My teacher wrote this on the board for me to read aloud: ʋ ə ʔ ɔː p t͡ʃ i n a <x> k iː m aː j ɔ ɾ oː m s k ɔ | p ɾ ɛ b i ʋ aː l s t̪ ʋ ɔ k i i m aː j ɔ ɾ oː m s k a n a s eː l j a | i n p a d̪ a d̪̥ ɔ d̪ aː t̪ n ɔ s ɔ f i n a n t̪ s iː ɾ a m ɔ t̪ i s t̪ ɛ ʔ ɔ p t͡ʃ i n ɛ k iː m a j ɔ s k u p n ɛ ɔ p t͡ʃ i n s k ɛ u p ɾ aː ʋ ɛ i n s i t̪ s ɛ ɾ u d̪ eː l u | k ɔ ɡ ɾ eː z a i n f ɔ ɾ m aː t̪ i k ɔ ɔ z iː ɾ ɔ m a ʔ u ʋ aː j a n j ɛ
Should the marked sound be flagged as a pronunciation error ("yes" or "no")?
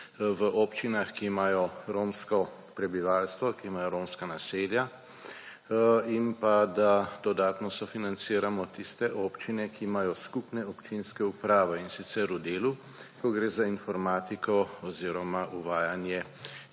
no